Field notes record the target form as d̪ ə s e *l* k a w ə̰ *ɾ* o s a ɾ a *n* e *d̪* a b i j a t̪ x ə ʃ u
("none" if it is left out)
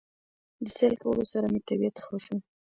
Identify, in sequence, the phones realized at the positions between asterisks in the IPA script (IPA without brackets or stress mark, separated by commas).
l, l, m, t̪